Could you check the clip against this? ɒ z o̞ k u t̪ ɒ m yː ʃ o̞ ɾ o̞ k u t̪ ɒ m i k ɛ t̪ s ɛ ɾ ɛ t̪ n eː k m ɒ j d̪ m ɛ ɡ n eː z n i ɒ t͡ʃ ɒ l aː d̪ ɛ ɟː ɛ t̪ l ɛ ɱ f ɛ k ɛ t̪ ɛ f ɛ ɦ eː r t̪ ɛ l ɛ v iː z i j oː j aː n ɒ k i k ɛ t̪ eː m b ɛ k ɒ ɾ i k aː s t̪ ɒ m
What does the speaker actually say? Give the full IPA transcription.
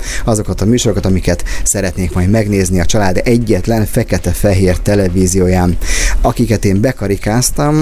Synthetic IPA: ɒ z o̞ k ɒ t̪ ɒ m yː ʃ o̞ ɾ o̞ k ɒ t̪ ɒ m i k ɛ t̪ s ɛ ɾ ɛ t̪ n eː k m ɒ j d̪ m ɛ ɡ n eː z n i ɒ t͡ʃ ɒ l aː d̪ ɛ ɟː ɛ t̪ l ɛ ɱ f ɛ k ɛ t̪ ɛ f ɛ ɦ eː r t̪ ɛ l ɛ v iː z i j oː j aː n ɒ k i k ɛ t̪ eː m b ɛ k ɒ ɾ i k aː s t̪ ɒ m